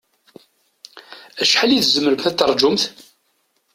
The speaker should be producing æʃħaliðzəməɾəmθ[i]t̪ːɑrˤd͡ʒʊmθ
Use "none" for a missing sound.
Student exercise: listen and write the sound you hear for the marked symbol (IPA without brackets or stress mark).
æ